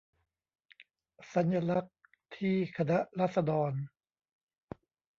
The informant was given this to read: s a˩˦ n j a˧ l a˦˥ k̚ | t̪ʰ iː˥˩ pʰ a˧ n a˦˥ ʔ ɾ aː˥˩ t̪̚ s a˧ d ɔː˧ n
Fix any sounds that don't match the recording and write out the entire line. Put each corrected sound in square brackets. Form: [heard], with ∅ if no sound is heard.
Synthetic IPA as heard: s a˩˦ n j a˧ l a˦˥ k̚ | t̪ʰ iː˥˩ [kʰ] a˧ n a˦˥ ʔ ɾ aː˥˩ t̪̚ s a˧ d ɔː˧ n